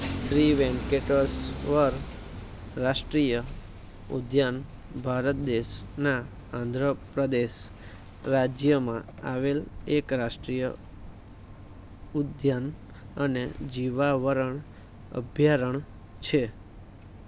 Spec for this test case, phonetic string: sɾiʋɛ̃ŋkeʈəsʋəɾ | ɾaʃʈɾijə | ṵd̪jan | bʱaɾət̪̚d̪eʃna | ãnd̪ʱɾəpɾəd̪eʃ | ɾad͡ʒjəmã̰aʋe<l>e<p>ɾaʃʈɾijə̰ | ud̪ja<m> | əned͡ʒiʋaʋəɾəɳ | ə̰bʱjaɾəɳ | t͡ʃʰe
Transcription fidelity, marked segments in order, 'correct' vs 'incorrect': correct, incorrect, incorrect

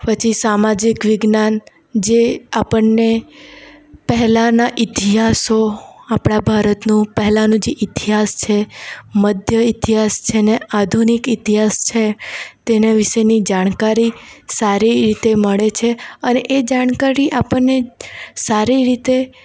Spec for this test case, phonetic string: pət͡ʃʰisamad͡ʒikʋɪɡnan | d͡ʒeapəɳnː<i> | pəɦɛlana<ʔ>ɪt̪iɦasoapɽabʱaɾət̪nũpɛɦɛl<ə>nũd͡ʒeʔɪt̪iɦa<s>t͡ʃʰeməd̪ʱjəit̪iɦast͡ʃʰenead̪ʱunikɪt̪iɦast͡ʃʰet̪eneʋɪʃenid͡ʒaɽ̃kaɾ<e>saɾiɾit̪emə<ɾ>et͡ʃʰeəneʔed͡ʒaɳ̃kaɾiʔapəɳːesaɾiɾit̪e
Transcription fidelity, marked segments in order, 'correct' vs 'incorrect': incorrect, correct, incorrect, correct, incorrect, incorrect

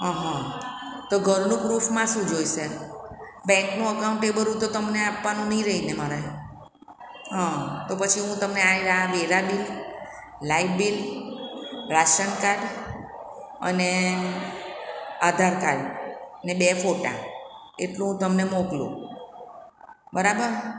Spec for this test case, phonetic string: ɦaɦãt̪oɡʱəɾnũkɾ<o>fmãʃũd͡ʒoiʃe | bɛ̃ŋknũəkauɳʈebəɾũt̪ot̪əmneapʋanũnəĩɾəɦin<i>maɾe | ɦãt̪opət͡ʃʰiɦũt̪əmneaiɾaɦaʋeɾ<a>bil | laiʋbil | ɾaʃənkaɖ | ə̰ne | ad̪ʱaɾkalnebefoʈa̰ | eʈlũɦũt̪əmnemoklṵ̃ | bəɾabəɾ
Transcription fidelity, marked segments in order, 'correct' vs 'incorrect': incorrect, incorrect, correct

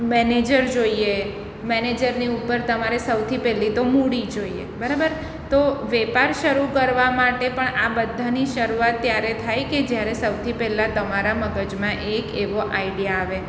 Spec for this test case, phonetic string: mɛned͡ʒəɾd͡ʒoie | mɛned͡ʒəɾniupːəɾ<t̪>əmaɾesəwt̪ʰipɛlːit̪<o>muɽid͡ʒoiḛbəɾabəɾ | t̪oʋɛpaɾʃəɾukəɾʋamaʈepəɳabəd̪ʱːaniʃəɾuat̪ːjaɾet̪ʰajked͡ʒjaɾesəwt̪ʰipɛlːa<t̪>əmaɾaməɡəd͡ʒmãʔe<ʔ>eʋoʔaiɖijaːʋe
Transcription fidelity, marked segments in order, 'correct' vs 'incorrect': correct, correct, correct, incorrect

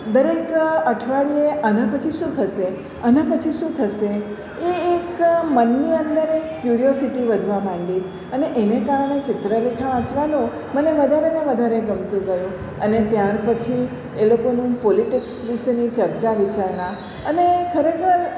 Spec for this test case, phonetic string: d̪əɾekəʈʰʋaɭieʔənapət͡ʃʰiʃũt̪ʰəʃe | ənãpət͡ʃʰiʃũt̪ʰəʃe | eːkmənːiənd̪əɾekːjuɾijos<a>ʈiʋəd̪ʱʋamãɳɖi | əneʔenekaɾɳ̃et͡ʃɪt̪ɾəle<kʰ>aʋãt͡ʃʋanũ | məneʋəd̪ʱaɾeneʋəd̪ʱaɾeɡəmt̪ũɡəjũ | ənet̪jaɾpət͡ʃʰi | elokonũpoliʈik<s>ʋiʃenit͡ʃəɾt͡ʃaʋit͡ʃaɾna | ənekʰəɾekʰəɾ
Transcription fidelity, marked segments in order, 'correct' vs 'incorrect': incorrect, correct, correct

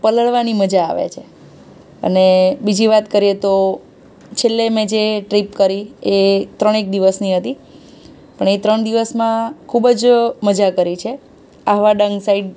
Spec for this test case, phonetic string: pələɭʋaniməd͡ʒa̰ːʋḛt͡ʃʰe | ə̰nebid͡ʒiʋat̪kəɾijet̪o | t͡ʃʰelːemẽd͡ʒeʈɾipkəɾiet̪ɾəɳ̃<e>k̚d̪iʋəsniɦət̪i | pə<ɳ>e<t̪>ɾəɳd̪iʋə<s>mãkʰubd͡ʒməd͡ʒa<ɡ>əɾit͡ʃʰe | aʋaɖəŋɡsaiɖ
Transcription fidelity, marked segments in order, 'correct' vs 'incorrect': correct, correct, correct, correct, incorrect

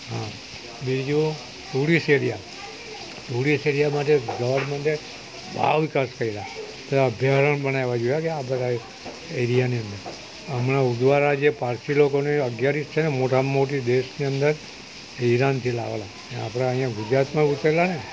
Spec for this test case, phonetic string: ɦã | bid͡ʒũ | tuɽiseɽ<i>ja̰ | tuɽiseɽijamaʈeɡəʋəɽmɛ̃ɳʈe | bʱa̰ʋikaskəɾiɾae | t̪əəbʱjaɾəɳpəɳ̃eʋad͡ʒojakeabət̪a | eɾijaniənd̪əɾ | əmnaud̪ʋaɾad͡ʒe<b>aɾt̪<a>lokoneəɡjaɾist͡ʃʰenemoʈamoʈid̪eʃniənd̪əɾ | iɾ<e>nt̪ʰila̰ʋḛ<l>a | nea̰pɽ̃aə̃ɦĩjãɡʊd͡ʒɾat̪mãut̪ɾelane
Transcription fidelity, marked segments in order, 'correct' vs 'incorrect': correct, incorrect, incorrect, incorrect, correct

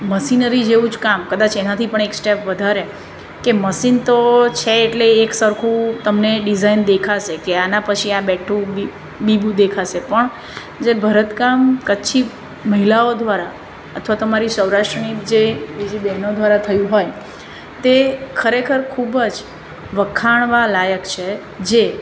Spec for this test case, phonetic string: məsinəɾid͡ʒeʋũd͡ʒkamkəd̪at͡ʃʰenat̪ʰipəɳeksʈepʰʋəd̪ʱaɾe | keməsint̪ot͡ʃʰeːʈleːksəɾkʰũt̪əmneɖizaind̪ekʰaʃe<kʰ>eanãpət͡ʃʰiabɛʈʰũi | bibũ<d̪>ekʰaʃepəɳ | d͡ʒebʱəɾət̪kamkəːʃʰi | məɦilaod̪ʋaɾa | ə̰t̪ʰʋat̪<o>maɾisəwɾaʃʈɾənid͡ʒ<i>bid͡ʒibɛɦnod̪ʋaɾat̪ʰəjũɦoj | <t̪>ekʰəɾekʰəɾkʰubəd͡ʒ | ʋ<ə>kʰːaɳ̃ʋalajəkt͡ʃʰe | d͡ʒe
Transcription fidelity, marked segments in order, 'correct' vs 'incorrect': incorrect, correct, correct, incorrect, correct, correct

